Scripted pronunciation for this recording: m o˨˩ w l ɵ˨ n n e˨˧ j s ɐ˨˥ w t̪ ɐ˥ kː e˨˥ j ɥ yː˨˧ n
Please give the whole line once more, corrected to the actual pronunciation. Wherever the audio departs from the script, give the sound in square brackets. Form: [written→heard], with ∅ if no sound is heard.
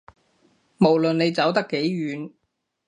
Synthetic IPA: m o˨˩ w l ɵ˨ n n e˨˧ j [s→t͡s] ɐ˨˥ w t̪ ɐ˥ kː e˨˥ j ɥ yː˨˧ n

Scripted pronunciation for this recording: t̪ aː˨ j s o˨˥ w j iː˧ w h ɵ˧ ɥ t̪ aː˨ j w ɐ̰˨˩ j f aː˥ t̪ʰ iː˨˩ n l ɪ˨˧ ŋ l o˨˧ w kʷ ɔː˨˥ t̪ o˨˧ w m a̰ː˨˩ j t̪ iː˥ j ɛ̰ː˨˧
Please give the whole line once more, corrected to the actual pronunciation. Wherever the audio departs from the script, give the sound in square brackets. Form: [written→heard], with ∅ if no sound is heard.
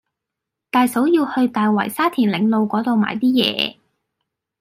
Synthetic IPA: t̪ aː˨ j s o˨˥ w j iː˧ w h ɵ˧ ɥ t̪ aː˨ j w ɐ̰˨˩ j [f→s] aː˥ t̪ʰ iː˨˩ n l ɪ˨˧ ŋ l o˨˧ w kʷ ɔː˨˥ t̪ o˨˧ w m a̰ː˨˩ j t̪ iː˥ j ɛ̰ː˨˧

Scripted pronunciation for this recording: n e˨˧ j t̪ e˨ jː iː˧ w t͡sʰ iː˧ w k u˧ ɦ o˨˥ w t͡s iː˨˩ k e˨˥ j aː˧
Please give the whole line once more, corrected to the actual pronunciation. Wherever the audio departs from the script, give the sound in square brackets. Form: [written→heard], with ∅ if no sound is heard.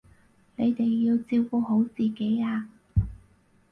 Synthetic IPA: n e˨˧ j t̪ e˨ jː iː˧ w [t͡sʰ→t͡s] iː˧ w k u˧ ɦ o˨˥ w t͡s iː˨˩ k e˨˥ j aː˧

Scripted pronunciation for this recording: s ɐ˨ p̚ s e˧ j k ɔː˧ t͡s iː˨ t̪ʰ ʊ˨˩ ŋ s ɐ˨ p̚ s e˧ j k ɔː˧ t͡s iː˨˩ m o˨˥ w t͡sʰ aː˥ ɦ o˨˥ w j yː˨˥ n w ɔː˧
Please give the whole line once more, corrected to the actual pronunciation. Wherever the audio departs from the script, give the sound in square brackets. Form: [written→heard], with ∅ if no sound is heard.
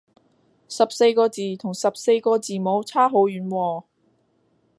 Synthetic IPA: s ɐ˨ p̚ s e˧ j k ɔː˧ t͡s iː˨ t̪ʰ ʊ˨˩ ŋ s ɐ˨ p̚ s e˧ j k ɔː˧ t͡s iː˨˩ m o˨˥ w t͡sʰ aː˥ ɦ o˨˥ w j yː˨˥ n w ɔː˧

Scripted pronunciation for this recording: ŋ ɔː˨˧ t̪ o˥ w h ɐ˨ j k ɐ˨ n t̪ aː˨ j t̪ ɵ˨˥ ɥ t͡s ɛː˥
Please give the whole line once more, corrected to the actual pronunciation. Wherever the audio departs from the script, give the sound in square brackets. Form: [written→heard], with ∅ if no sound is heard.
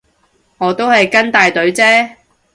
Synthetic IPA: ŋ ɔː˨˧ t̪ o˥ w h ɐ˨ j k [ɐ˨→ɐ˥] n t̪ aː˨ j t̪ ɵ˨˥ ɥ t͡s ɛː˥

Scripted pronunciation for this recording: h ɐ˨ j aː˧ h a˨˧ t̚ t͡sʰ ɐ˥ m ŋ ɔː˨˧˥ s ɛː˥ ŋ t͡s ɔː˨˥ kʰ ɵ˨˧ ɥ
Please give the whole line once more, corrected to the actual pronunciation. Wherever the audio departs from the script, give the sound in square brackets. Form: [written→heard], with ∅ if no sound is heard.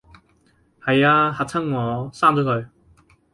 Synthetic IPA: h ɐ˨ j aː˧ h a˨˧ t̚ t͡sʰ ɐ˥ [m→ŋ] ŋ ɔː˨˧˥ s [ɛː˥→aː˥] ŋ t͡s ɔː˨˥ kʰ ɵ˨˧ ɥ

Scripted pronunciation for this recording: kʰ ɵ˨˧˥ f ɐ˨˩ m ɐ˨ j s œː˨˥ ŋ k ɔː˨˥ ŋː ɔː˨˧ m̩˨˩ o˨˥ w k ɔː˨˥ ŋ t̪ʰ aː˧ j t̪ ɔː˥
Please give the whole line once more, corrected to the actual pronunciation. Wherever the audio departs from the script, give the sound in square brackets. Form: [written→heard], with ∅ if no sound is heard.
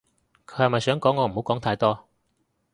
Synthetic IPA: kʰ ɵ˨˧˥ [f→h] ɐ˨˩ m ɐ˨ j s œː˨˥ ŋ k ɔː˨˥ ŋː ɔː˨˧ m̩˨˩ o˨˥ w k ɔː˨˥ ŋ t̪ʰ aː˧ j t̪ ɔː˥

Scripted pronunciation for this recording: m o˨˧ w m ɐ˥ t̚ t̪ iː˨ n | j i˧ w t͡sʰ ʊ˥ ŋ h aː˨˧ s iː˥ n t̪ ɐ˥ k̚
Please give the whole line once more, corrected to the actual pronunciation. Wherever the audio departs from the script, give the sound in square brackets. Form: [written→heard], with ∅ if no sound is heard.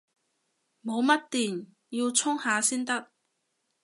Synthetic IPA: m o˨˧ w m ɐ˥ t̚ t̪ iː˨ n | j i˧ w t͡sʰ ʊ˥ ŋ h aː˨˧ s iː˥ n t̪ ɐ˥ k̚

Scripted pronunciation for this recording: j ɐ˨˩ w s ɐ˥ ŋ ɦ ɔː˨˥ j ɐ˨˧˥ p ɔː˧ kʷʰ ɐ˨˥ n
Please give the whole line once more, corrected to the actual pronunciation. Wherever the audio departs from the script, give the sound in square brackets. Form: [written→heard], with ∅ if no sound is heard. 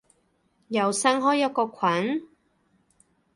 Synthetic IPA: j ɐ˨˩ w s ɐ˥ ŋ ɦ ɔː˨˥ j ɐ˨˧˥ [p→k] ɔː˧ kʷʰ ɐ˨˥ n

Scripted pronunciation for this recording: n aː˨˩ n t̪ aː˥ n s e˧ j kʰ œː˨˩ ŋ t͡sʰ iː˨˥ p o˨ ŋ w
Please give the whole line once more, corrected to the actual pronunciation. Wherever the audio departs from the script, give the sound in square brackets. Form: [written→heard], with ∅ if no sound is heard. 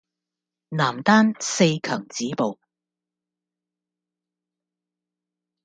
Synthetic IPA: n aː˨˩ [n→m] t̪ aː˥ n s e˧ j kʰ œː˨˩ ŋ [t͡sʰ→t͡s] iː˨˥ p o˨ [ŋ→∅] w

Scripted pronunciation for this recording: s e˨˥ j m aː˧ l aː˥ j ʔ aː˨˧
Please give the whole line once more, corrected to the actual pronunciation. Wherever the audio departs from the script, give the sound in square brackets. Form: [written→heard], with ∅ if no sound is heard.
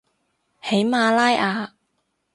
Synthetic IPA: [s→h] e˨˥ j m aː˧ l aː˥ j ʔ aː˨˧

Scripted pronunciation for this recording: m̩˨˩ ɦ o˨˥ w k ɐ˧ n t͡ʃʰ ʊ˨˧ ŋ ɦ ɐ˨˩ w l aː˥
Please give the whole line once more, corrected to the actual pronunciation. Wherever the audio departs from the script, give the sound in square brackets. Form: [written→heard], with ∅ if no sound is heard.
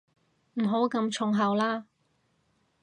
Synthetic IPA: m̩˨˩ ɦ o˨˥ w k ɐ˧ [n→m] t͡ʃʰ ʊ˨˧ ŋ ɦ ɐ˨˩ w l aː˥

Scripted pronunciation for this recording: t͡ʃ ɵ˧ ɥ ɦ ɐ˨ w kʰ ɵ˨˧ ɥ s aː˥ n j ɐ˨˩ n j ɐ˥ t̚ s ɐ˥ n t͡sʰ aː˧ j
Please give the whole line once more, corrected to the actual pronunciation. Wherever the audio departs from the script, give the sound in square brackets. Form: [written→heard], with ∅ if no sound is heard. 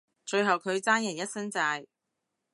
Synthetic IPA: t͡ʃ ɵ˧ ɥ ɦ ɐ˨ w kʰ ɵ˨˧ ɥ [s→t͡s] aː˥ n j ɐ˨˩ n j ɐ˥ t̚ s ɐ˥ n [t͡sʰ→t͡s] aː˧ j

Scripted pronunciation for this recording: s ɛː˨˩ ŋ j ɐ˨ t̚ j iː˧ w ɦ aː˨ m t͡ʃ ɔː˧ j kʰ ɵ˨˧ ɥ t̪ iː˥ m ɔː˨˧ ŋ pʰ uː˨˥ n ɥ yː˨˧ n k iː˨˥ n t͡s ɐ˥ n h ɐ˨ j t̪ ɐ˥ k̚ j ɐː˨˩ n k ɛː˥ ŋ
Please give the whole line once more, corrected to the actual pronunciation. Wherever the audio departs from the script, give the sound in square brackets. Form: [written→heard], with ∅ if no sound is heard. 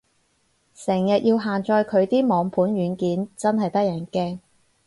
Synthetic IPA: s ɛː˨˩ ŋ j ɐ˨ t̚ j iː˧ w ɦ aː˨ [m→n] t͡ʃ ɔː˧ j kʰ ɵ˨˧ ɥ t̪ iː˥ m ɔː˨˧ ŋ pʰ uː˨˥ n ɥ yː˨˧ n k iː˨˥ n t͡s ɐ˥ n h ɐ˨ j t̪ ɐ˥ k̚ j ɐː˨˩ n k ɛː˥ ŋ

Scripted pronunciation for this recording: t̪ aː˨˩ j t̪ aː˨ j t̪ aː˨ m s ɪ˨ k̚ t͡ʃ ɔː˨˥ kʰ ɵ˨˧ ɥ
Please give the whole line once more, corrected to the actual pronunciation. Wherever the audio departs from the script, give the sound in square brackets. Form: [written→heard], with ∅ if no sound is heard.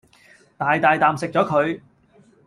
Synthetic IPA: t̪ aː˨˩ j t̪ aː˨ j t̪ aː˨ m s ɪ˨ k̚ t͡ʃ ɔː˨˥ kʰ ɵ˨˧ ɥ

